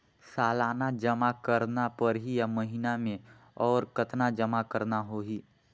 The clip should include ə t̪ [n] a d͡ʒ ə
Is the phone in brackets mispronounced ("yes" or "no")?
no